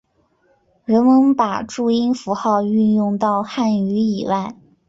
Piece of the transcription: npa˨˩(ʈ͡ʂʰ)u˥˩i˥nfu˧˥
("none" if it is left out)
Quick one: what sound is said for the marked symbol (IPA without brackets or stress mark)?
ʈ͡ʂ